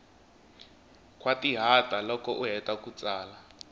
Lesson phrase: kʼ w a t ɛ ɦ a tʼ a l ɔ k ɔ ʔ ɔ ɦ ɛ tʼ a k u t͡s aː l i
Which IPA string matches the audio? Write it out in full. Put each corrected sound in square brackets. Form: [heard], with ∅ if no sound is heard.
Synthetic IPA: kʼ w a t [i] ɦ a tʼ a l ɔ k ɔ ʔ [u] ɦ ɛ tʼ a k u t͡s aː l [a]

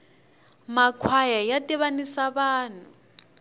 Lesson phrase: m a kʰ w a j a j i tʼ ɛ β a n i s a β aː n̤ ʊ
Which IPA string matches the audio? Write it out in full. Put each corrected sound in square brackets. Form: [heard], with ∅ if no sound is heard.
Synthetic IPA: m a kʰ w a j a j [a] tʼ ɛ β a n i s a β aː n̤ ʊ

